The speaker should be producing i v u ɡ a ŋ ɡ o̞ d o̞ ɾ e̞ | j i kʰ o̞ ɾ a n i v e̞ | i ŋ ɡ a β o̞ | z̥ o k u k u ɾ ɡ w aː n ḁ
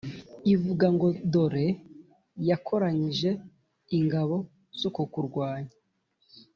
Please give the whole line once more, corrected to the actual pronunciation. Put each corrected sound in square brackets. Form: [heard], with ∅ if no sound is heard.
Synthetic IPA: i v u ɡ a ŋ ɡ o̞ d o̞ ɾ e̞ | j [a] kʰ o̞ ɾ a [ɲ] i [ʒ] e̞ | i ŋ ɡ a β o̞ | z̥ o k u k u ɾ ɡ w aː [ɲ] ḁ

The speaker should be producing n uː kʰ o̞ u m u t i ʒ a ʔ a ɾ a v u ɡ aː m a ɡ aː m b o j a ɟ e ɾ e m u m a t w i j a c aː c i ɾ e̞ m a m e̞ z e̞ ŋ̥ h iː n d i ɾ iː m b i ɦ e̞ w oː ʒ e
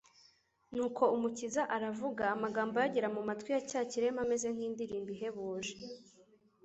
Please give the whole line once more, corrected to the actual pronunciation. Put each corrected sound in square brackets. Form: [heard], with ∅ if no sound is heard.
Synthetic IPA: n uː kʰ o̞ u m u [c] i [z] a ʔ a ɾ a v u ɡ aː m a ɡ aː m b o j a ɟ e ɾ [a] m u m a t w i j a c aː c i ɾ e̞ m a m e̞ z e̞ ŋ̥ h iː n d i ɾ iː m b i ɦ e̞ [β] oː ʒ e

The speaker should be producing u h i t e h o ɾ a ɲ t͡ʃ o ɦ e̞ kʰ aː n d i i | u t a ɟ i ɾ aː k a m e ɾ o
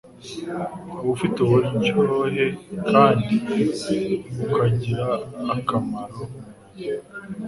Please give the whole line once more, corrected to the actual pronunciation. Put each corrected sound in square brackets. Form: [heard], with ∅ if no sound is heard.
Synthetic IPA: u [f] i t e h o ɾ [i] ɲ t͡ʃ o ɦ e̞ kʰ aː n d i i | u [k] a ɟ i ɾ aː k a m [a] ɾ o

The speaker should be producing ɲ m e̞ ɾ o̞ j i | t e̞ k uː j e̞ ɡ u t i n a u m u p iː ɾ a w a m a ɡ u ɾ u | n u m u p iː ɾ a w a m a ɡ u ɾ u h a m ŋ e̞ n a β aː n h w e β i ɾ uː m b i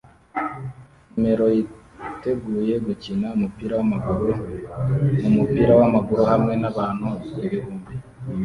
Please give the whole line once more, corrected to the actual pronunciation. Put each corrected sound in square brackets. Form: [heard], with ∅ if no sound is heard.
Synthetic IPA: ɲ m e̞ ɾ o̞ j i | t e̞ [ɡ] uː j e̞ ɡ u [c] i n a u m u p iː ɾ a w a m a ɡ u ɾ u | n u m u p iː ɾ a w a m a ɡ u ɾ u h a m ŋ e̞ n a β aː n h [u] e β i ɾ uː m b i

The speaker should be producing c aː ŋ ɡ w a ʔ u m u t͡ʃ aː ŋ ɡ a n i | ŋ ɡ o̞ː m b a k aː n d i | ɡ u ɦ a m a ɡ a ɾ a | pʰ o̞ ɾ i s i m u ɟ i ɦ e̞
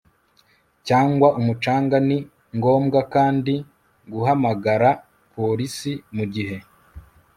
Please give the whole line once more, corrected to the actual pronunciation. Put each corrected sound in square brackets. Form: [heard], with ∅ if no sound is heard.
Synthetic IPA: c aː ŋ ɡ w a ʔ u m u t͡ʃ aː ŋ ɡ a n i | ŋ ɡ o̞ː m [ɡ] a k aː n d i | ɡ u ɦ a m a ɡ a ɾ a | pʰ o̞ ɾ i s i m u ɟ i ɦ e̞

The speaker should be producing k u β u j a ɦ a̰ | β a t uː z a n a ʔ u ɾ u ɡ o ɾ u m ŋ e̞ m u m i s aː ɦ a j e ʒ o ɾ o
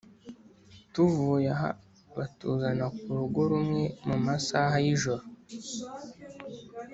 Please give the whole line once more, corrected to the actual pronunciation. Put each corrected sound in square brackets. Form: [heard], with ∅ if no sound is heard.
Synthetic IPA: [t] u [v] u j a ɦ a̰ | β a t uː z a n a [k] u ɾ u ɡ o ɾ u m ŋ e̞ m u m [a] s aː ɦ a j [i] ʒ o ɾ o

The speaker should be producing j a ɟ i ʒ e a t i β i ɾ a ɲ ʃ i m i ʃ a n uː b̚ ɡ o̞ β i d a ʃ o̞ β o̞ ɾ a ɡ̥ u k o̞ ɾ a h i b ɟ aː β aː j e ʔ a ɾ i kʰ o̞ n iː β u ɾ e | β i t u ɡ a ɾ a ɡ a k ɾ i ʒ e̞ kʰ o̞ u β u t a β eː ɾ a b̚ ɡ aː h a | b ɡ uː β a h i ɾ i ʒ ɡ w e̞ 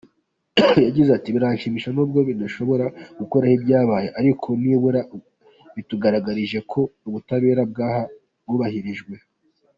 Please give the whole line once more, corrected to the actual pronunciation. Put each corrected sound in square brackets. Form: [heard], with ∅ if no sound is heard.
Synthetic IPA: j a ɟ i [z] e a t i β i ɾ a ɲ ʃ i m i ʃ a n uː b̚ ɡ o̞ β i d a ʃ o̞ β o̞ ɾ a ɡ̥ u k o̞ ɾ a h i b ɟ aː β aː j e ʔ a ɾ i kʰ o̞ n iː β u ɾ [a] | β i t u ɡ a ɾ a ɡ a [∅] ɾ i ʒ e̞ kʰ o̞ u β u t a β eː ɾ a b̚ ɡ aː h a | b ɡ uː β a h i ɾ i ʒ ɡ w e̞

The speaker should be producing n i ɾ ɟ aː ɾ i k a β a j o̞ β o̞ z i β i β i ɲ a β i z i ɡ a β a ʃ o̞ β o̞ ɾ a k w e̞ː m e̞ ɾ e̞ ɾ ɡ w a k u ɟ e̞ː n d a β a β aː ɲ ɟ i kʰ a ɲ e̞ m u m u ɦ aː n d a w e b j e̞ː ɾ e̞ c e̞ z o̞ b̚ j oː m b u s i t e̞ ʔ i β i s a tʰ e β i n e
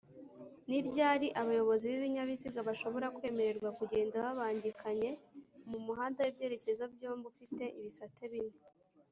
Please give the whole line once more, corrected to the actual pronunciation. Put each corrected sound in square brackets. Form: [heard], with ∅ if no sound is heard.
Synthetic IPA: n i ɾ ɟ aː ɾ i [ʔ] a β a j o̞ β o̞ z i β i β i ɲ a β i z i ɡ a β a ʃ o̞ β o̞ ɾ a k w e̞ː m e̞ ɾ e̞ ɾ ɡ w a k u ɟ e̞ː n d a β a β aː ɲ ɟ i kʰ a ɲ e̞ m u m u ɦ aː n d a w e b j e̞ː ɾ e̞ c e̞ z o̞ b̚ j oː m b u [f] i t e̞ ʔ i β i s a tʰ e β i n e

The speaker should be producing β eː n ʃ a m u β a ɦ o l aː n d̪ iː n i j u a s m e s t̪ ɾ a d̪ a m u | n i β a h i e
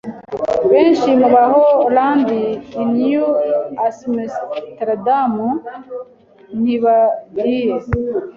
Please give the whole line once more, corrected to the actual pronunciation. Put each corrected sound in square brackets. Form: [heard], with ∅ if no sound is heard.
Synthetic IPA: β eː n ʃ [i] m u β a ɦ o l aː n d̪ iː n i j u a s m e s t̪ ɾ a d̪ a m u | n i β a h i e

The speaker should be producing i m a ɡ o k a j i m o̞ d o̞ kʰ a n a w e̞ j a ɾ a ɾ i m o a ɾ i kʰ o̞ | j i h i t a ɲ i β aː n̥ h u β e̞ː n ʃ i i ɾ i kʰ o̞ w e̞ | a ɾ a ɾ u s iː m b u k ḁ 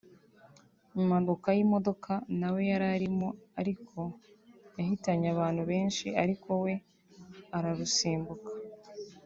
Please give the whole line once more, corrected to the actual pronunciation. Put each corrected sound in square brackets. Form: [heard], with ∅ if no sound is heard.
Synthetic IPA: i m a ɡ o k a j i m o̞ d o̞ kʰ a n a w e̞ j a ɾ a ɾ i m o a ɾ i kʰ o̞ | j [a] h i t a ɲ [a] β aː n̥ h u β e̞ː n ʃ i [a] ɾ i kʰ o̞ w e̞ | a ɾ a ɾ u s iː m b u k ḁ

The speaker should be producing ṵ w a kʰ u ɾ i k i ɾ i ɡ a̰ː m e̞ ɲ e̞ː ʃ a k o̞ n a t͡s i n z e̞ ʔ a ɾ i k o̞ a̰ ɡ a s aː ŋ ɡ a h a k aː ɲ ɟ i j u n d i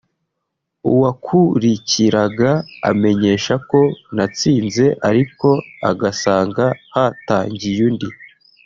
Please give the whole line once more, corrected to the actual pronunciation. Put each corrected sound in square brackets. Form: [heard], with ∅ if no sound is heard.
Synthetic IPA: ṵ w a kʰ u ɾ i [c] i ɾ [a] ɡ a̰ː m e̞ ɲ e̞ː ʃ a k o̞ n a t͡s [iː] n z e̞ ʔ a ɾ i k o̞ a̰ ɡ a s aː ŋ ɡ a h a [t] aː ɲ ɟ i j u n d i

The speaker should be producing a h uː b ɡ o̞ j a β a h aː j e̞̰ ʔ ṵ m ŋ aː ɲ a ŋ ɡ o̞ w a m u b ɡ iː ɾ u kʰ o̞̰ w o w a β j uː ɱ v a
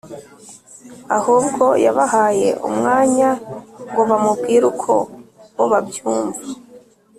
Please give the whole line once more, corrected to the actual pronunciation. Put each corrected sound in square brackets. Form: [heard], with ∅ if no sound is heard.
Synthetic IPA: a h uː b ɡ o̞ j a β a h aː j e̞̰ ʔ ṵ m ŋ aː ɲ a ŋ ɡ o̞ [β] a m u b ɡ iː ɾ u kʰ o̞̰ w o [β] a [b] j uː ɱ v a

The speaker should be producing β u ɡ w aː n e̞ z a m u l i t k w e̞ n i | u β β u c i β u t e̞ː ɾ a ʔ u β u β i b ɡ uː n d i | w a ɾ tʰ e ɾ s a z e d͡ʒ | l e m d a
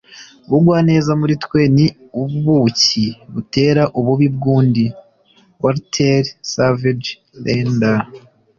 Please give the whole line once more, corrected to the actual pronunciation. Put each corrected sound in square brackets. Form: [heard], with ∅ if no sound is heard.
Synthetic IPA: β u ɡ w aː n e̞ z a m u [ɾ] i t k w e̞ n i | u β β u c i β u t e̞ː ɾ a ʔ u β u β i b ɡ uː n d i | w a ɾ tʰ e ɾ s a [v] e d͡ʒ | l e [n] d a

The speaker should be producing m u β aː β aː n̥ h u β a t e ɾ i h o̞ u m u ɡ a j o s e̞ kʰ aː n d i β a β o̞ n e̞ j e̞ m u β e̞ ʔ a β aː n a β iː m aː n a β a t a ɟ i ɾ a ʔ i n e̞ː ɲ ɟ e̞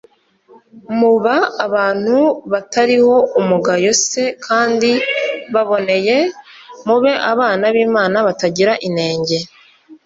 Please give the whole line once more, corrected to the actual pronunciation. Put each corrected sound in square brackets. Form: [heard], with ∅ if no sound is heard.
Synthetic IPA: m u β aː β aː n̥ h u β a t [a] ɾ i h o̞ u m u ɡ a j o s e̞ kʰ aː n d i β a β o̞ n e̞ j e̞ m u β e̞ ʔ a β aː n a β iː m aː n a β a t a ɟ i ɾ a ʔ i n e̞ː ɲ ɟ e̞

